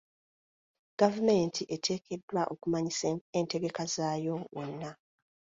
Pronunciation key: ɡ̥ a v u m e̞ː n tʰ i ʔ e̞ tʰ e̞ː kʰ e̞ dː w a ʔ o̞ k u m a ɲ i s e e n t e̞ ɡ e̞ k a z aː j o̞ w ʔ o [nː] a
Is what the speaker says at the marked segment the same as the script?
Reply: yes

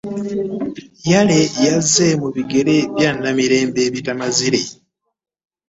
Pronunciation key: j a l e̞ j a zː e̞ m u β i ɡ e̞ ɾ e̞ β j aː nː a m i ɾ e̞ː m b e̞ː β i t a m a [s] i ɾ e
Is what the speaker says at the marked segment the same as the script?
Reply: no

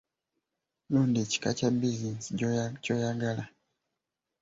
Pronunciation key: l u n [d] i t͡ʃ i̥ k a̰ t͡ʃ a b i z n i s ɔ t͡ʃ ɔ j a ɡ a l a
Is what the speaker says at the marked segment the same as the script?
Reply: yes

